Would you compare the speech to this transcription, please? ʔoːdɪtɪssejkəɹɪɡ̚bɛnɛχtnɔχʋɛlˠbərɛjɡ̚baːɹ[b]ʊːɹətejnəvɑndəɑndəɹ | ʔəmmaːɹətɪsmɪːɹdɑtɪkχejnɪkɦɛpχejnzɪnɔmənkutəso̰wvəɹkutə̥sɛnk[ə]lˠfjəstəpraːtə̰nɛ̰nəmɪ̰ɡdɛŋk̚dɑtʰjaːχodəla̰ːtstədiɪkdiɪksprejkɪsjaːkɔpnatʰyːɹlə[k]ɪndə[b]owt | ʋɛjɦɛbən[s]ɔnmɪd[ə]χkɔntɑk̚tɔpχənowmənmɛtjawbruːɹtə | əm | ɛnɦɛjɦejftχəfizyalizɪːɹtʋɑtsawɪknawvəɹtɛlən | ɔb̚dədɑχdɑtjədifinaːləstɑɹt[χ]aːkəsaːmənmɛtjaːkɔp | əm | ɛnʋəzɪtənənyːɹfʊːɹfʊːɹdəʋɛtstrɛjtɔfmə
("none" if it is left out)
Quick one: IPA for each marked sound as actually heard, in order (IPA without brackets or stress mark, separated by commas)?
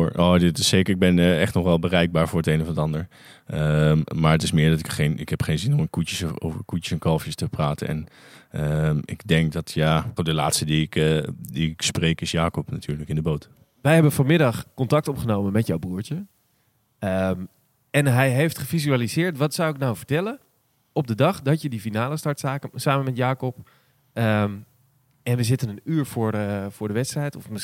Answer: v, ɑ, k, b, f, ɑ, s